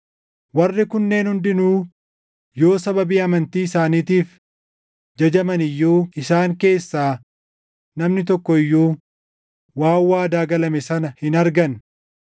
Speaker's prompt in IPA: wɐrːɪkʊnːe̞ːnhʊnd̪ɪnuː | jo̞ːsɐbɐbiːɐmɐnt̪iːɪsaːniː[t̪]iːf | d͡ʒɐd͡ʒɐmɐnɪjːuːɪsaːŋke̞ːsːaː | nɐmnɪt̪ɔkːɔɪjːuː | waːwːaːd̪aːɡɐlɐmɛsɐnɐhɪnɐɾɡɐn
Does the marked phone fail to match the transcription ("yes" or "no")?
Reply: no